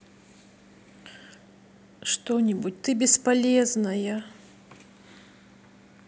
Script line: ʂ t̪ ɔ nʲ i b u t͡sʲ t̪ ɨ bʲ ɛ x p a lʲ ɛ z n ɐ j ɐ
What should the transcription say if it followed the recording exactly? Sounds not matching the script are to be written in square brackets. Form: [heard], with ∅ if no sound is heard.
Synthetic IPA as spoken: ʂ t̪ ɔ nʲ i b u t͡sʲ t̪ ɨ bʲ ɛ [s] p a lʲ ɛ z n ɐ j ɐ

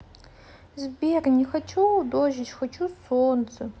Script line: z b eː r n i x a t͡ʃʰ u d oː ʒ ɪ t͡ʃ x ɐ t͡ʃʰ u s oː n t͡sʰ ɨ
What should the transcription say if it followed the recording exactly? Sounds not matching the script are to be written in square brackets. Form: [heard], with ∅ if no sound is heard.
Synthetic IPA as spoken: z b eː r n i x [ɐ] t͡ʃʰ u d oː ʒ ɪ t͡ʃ x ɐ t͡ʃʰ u s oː n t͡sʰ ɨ

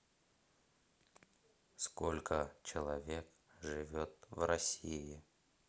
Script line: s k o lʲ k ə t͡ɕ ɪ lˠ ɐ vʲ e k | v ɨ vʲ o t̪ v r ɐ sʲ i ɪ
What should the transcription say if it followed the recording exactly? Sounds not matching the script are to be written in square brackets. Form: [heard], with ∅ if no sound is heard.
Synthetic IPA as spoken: s k o lʲ k ə t͡ɕ ɪ lˠ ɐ vʲ e k | [ʐ] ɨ vʲ o t̪ v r ɐ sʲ i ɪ

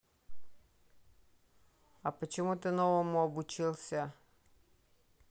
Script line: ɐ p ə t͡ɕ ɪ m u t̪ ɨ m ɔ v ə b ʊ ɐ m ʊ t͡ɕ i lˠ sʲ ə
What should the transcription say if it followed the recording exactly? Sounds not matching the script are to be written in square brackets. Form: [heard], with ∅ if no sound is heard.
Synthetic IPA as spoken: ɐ p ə t͡ɕ ɪ m u t̪ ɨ [n] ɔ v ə [m] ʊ ɐ [b] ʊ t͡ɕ i lˠ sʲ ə

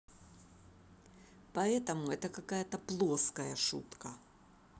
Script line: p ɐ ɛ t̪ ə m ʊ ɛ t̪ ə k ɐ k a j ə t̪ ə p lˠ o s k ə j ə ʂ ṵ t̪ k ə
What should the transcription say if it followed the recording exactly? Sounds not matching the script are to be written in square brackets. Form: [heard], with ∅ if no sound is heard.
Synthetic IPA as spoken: p ɐ ɛ t̪ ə m ʊ ɛ t̪ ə k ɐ k a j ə t̪ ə p lˠ o s k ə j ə ʂ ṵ t̪ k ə

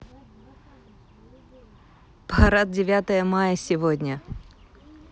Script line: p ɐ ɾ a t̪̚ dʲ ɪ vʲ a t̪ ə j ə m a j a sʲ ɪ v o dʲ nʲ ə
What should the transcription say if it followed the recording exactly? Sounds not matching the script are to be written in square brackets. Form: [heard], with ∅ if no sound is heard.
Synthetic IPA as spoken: p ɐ ɾ a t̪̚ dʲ ɪ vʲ a t̪ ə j ə m a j [ə] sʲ ɪ v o dʲ nʲ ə

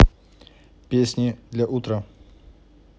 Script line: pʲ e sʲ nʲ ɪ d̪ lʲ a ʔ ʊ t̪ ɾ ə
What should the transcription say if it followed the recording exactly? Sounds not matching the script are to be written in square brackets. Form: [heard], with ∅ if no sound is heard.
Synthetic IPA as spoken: pʲ e sʲ nʲ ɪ d̪ lʲ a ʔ [u] t̪ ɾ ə

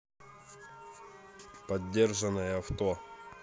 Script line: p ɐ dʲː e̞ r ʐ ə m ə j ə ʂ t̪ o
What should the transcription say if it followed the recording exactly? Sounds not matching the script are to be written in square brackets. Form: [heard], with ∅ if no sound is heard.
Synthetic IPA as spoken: p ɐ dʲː e̞ r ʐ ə [n] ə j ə [f] t̪ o

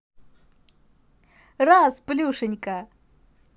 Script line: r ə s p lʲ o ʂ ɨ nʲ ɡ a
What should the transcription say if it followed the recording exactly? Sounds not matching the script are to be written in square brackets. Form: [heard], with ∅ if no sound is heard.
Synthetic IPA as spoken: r [a] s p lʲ [u] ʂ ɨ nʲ [k] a

